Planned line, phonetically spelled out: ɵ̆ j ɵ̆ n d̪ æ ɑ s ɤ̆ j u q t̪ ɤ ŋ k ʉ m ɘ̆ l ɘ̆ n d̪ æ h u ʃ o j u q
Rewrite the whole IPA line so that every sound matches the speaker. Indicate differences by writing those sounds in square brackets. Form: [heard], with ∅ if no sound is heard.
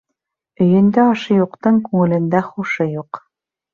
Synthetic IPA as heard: ɵ̆ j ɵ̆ n d̪ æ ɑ [ʃ] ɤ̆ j u q t̪ ɤ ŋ k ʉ [ŋ] ɘ̆ l ɘ̆ n d̪ æ [χ] u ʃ [ɤ] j u q